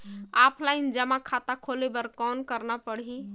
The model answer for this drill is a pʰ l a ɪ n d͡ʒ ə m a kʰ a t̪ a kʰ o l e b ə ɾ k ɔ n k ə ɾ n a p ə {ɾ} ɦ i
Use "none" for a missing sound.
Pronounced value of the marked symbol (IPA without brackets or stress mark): ɽ